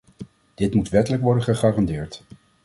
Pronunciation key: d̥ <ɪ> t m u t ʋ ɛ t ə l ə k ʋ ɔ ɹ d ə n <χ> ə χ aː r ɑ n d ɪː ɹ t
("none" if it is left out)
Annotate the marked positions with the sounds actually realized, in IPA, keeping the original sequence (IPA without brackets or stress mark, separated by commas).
ɪ, χ